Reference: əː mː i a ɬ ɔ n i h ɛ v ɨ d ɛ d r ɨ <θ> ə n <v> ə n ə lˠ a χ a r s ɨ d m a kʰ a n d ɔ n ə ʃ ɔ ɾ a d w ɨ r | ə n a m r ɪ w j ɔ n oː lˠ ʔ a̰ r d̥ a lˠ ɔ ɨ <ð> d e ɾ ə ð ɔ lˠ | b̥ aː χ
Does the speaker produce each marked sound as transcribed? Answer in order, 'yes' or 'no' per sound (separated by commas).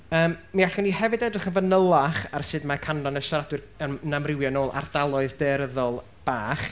no, yes, yes